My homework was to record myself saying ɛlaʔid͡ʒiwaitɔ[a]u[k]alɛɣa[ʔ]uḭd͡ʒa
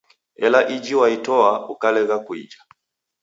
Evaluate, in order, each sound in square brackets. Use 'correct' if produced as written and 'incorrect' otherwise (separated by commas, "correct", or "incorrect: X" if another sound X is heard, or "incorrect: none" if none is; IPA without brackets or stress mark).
correct, correct, incorrect: k